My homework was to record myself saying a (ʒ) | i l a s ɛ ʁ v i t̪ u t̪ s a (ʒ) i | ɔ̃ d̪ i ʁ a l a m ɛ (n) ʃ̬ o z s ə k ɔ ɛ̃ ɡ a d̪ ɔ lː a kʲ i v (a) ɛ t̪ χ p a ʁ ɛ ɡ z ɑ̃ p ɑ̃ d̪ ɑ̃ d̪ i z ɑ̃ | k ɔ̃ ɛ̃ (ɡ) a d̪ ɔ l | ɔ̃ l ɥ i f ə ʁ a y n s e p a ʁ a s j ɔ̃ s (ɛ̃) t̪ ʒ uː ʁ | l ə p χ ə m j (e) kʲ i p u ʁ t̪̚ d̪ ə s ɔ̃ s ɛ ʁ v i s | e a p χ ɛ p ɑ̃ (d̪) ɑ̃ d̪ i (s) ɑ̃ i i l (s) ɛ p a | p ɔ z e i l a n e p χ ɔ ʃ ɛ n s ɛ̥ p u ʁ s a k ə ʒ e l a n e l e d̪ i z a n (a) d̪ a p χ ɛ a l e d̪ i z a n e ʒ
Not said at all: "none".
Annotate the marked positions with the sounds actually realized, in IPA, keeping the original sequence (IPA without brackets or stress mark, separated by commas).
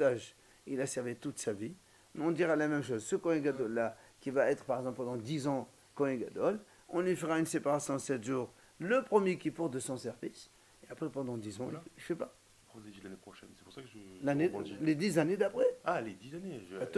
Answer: ʒ, v, m, a, ɡ, ɛ, e, d̪, z, f, e